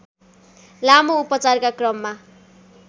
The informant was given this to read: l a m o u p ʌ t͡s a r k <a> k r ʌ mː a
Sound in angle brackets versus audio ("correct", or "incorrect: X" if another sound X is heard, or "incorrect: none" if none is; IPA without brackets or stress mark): correct